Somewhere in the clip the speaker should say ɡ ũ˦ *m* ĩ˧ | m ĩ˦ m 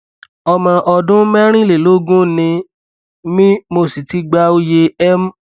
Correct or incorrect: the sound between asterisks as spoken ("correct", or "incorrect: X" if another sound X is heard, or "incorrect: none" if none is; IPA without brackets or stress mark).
incorrect: n